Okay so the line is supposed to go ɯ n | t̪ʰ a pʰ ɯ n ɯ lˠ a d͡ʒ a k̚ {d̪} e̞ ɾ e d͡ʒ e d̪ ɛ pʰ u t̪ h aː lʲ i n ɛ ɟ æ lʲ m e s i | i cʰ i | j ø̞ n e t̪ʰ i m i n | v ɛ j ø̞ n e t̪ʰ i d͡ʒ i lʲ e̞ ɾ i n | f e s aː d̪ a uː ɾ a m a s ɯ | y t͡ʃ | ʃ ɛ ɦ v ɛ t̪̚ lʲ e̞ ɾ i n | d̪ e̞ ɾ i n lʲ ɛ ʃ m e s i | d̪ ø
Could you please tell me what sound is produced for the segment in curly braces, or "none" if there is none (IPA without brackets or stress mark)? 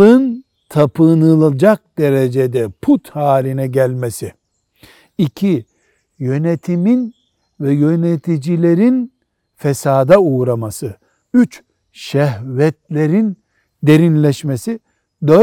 d̪